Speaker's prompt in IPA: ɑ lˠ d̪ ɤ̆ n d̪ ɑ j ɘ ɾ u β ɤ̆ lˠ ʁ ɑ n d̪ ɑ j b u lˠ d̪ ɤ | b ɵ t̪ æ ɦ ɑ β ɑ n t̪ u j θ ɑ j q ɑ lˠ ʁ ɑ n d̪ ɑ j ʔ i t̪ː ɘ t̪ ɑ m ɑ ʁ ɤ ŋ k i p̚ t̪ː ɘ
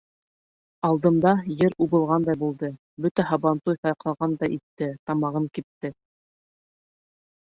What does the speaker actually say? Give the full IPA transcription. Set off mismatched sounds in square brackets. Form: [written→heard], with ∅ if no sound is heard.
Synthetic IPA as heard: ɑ lˠ d̪ ɤ̆ n d̪ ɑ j ɘ ɾ u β ɤ̆ lˠ ʁ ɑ n d̪ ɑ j b u lˠ d̪ ɤ | b ɵ t̪ æ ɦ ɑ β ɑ n t̪ u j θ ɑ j q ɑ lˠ ʁ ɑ n d̪ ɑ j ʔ i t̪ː ɘ t̪ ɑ m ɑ ʁ ɤ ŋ k i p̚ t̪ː ɘ